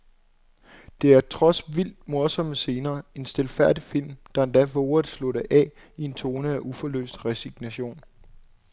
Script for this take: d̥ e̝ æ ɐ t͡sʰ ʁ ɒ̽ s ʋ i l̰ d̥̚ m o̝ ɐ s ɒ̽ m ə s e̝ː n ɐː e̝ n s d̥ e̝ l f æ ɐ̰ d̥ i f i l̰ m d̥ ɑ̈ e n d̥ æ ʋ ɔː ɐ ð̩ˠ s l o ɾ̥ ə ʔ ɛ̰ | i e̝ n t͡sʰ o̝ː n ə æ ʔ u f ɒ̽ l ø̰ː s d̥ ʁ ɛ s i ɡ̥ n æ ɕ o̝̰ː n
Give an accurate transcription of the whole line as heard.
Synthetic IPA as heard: d̥ e̝ æ ɐ t͡sʰ ʁ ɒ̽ s ʋ i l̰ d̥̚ m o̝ ɐ s ɒ̽ m ə s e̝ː n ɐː e̝ n s d̥ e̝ l f æ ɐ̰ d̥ i f i l̰ m d̥ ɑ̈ e n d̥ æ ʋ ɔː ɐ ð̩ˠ s l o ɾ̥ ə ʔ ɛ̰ | i e̝ n t͡sʰ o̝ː n ə æ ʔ u f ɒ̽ l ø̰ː s d̥ ʁ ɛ s i ɡ̥ n æ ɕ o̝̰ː n